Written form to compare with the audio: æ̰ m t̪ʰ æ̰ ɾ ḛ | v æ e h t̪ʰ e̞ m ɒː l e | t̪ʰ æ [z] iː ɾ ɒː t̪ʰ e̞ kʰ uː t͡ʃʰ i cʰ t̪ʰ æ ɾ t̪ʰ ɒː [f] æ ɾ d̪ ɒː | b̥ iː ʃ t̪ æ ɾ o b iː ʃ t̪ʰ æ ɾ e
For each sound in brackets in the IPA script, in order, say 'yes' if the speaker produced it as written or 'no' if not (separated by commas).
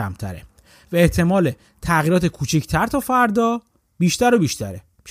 no, yes